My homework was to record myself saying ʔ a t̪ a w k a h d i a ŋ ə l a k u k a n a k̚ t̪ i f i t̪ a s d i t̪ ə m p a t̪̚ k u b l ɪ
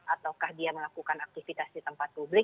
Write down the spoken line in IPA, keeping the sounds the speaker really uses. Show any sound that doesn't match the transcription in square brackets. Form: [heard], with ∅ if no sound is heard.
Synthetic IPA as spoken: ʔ a t̪ a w k a h d i a [m] ə l a k u k a n a k̚ t̪ i f i t̪ a s d i t̪ ə m p a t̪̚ [p] u b l ɪ